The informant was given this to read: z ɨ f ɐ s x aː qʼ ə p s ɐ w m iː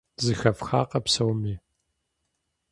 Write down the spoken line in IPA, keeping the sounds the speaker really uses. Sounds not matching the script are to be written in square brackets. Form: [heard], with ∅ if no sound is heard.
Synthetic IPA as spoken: z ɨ [x] ɐ [f] x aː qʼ [ɐ] p s ɐ w m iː